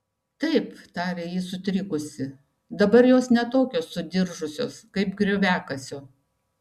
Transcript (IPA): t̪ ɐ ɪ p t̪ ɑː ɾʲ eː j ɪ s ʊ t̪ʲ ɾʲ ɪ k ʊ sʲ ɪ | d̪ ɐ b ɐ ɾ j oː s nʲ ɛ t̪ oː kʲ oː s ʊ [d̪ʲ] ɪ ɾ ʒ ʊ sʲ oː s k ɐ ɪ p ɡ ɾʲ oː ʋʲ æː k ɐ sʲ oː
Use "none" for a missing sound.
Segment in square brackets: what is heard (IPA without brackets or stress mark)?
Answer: d̪ʲ